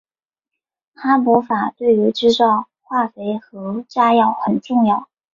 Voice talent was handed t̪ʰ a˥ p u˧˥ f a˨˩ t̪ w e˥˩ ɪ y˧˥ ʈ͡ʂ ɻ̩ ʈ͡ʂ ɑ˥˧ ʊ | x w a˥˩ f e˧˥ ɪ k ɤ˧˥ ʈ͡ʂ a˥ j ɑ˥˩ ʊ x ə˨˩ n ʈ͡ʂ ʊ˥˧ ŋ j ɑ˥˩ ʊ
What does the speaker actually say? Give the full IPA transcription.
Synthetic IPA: t̪ʰ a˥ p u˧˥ f a˨˩ t̪ w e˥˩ ɪ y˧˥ ʈ͡ʂ ɻ̩ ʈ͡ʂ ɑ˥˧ ʊ | x w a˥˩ f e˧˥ ɪ x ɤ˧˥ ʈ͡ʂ a˥ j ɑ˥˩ ʊ x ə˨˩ n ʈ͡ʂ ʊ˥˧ ŋ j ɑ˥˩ ʊ